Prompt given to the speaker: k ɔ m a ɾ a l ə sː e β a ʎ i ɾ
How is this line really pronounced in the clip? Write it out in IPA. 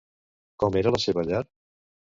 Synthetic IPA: k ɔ m e ɾ ə l ə s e β ə ʎ a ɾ

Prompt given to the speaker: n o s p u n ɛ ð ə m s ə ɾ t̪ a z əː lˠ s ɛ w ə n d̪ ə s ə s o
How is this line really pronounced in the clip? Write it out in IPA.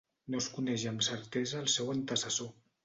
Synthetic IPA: n o s k u n ɛ ʒ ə m s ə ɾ t̪ ɛ z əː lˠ s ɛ w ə n t̪ ə s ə s o

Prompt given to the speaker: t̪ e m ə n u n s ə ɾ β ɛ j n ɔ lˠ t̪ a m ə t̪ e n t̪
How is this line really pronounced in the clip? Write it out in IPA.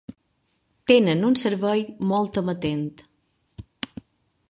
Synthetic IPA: t̪ e n ə n u n s ə ɾ β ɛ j m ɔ lˠ t̪ ə m ə t̪ e n t̪

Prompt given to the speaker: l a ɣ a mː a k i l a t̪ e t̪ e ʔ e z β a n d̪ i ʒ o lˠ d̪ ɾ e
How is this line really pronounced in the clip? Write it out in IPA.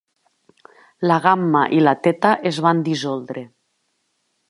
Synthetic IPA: l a ɣ a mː a ʔ i l a t̪ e t̪ a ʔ e z β a n d̪ i z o lˠ d̪ ɾ e

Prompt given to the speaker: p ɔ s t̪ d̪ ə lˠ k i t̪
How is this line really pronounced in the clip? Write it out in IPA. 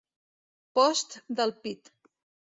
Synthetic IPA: p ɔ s t̪ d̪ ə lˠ p i t̪

